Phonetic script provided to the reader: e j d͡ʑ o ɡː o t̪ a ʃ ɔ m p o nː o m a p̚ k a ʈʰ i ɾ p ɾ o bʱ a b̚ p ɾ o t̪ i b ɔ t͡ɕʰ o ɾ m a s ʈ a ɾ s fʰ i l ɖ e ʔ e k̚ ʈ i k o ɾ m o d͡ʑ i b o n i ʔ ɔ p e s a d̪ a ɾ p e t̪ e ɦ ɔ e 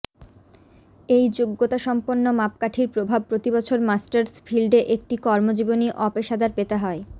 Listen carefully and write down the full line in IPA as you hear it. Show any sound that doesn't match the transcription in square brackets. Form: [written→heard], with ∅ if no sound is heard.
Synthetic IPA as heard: e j d͡ʑ o ɡː o t̪ a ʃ ɔ m p o nː o m a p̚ k a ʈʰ i ɾ p ɾ o bʱ a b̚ p ɾ o t̪ i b ɔ t͡ɕʰ o ɾ m a s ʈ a ɾ s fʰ i l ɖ e ʔ e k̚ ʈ i k [o→ɔ] ɾ m o d͡ʑ i b o n i ʔ ɔ p e [s→ʃ] a d̪ a ɾ p e t̪ e ɦ ɔ e